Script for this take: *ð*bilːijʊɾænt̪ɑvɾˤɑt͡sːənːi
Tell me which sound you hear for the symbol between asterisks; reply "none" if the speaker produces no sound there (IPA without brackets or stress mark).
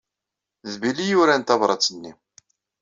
ð